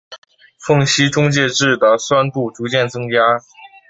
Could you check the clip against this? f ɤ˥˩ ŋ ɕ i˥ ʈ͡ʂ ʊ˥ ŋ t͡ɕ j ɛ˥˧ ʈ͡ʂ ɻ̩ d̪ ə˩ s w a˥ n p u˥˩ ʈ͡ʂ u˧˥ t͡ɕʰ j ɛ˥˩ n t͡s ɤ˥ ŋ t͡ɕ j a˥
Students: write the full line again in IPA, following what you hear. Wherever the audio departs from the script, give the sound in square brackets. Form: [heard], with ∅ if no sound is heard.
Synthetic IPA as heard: f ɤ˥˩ ŋ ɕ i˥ ʈ͡ʂ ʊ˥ ŋ t͡ɕ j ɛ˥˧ ʈ͡ʂ ɻ̩ d̪ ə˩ s w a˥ n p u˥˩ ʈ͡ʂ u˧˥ [t͡ɕ] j ɛ˥˩ n t͡s ɤ˥ ŋ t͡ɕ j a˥

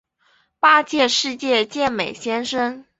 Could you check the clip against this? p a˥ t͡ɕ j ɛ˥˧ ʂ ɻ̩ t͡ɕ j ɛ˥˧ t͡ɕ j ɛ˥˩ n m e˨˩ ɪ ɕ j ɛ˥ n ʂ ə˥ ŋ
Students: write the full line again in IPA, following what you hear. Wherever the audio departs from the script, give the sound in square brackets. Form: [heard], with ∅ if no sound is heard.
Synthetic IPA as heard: p a˥ t͡ɕ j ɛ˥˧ ʂ ɻ̩ t͡ɕ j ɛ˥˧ t͡ɕ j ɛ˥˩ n m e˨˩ ɪ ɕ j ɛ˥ n ʂ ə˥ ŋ

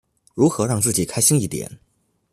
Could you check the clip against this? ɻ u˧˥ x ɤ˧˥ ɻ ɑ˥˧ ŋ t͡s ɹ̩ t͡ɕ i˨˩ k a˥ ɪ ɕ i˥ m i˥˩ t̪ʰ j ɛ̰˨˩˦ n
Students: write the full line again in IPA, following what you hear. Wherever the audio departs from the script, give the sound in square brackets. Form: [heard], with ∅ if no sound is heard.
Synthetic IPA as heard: ɻ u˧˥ x ɤ˧˥ ɻ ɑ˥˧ ŋ t͡s ɹ̩ t͡ɕ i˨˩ [kʰ] a˥ ɪ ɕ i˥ [ŋ] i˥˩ [t̪] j ɛ̰˨˩˦ n

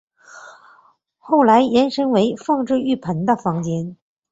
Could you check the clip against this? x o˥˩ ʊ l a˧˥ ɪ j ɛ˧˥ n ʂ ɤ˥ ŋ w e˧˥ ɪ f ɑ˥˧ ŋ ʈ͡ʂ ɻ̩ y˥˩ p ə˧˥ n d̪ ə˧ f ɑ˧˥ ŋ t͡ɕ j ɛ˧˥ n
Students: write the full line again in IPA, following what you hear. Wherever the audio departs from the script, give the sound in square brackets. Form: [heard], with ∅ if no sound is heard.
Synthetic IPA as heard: x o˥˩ ʊ l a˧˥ ɪ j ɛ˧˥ n ʂ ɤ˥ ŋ w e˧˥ ɪ f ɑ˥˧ ŋ ʈ͡ʂ ɻ̩ y˥˩ [pʰ] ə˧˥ n d̪ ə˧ f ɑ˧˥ ŋ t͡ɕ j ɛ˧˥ n

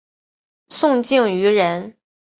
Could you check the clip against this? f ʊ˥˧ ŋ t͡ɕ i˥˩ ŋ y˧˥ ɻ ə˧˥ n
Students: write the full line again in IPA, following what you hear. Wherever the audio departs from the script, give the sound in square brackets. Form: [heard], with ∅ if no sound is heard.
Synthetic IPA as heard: [s] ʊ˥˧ ŋ t͡ɕ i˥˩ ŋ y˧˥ ɻ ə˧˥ n

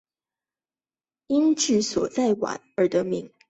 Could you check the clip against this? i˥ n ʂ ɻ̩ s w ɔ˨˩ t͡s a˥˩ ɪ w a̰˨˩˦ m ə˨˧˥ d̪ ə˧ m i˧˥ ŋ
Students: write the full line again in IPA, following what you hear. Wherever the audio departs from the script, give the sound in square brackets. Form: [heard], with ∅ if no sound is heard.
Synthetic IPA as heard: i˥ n [ʈ͡ʂ] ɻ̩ s w ɔ˨˩ t͡s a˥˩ ɪ w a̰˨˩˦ [n] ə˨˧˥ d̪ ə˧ m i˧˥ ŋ

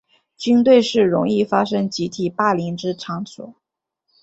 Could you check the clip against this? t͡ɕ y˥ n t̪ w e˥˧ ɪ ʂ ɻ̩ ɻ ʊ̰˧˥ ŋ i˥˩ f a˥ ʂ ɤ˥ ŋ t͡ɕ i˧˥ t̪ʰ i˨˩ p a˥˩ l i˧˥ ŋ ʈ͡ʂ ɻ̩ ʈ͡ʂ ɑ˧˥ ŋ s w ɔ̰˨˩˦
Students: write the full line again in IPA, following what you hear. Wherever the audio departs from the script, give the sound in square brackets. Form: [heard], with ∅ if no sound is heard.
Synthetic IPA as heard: t͡ɕ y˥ n t̪ w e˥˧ ɪ ʂ ɻ̩ ɻ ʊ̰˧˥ ŋ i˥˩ f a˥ ʂ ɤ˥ ŋ t͡ɕ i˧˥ t̪ʰ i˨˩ p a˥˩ l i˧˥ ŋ ʈ͡ʂ ɻ̩ [ʈ͡ʂʰ] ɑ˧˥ ŋ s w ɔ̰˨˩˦

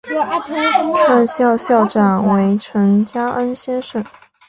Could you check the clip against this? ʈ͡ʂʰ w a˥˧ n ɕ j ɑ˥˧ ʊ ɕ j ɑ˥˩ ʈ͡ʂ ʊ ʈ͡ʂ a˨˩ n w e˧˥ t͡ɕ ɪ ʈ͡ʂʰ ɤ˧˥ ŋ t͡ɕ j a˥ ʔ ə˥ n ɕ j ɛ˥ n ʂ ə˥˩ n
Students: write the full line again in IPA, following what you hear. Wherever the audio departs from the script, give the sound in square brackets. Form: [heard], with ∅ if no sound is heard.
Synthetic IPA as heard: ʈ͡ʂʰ w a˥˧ n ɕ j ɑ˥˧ ʊ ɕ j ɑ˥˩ [∅] ʊ ʈ͡ʂ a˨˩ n w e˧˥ [∅] ɪ ʈ͡ʂʰ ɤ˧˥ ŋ t͡ɕ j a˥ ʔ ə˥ n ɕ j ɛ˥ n ʂ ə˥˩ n

